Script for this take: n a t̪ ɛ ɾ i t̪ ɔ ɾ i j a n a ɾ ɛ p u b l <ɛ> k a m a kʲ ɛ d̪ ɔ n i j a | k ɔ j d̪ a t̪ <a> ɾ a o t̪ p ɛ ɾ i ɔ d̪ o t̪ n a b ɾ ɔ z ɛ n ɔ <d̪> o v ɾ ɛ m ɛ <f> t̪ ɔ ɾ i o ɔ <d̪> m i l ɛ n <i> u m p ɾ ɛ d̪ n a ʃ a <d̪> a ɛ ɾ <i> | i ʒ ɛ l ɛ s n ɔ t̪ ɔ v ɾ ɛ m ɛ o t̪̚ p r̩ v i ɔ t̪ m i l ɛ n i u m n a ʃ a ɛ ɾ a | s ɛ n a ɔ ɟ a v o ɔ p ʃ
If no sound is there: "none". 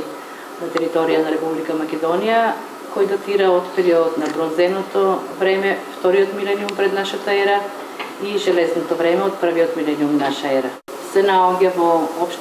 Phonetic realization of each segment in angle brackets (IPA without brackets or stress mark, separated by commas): i, i, t̪, f, t̪, i, t̪, a